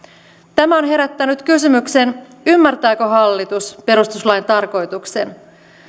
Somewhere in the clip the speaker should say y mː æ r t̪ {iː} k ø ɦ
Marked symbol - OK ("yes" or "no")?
no